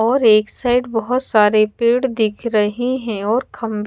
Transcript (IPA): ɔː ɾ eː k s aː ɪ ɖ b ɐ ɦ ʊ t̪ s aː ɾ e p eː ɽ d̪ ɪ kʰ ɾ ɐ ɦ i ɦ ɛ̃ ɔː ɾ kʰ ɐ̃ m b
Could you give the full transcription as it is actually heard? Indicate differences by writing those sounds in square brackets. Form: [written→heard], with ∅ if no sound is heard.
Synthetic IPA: ɔː ɾ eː k s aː ɪ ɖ b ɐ ɦ ʊ t̪ s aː ɾ e p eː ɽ d̪ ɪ kʰ ɾ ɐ ɦ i ɦ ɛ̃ ɔː ɾ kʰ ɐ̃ m b